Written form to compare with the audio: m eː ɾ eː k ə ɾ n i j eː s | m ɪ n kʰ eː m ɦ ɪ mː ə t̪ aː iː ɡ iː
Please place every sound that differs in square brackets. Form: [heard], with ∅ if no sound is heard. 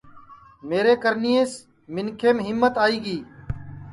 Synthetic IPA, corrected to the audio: m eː ɾ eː k ə ɾ n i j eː s | m ɪ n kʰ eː m ɦ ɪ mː ə t̪ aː iː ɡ iː